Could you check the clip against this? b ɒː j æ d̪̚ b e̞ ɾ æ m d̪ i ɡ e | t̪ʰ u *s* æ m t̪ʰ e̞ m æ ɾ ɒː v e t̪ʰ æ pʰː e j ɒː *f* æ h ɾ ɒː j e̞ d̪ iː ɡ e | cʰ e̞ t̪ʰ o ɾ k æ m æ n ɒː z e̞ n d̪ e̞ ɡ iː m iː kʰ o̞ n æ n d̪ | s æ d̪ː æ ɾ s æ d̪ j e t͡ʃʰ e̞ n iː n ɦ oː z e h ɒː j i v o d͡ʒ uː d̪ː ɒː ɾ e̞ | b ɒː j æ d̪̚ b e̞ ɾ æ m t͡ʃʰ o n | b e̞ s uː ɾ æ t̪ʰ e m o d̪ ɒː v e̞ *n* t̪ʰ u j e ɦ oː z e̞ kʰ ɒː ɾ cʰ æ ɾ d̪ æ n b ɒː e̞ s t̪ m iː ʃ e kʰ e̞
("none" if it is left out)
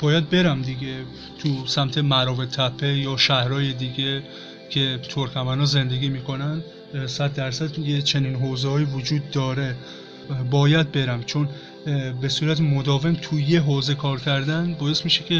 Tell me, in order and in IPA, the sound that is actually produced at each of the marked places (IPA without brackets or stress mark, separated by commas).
s, ʃ, m